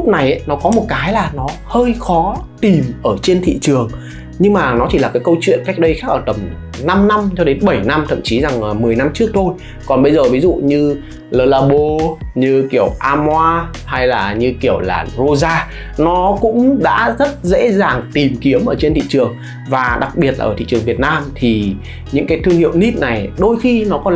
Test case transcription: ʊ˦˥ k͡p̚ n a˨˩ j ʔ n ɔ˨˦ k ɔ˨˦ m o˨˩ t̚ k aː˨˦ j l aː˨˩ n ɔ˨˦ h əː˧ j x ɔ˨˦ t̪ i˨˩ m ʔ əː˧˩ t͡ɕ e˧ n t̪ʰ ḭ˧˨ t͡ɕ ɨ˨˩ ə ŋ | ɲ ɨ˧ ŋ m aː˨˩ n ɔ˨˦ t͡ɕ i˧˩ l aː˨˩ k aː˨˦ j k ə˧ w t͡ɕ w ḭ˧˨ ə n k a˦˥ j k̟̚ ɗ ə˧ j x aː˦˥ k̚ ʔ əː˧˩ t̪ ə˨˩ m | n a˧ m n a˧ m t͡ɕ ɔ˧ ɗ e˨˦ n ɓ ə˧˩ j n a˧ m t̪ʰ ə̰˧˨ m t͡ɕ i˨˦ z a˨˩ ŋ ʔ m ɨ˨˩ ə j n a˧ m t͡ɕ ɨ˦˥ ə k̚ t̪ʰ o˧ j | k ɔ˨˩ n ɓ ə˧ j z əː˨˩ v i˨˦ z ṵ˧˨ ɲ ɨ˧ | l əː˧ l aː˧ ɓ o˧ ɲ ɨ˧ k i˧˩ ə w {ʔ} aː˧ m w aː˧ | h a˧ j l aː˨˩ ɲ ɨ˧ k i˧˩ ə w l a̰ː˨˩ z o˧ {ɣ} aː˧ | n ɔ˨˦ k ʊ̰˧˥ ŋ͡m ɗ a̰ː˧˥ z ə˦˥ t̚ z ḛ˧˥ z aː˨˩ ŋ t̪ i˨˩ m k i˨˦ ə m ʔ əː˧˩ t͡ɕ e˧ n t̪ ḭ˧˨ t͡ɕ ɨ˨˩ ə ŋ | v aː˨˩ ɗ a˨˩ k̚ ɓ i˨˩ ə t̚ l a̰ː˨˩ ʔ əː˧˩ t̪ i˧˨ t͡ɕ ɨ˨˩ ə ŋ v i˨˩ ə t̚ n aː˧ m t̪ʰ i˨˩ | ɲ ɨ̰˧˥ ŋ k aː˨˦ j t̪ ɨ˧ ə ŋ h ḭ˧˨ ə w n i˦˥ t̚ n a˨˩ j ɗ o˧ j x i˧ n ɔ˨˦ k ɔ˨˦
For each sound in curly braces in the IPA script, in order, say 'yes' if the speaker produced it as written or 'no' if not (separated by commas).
yes, no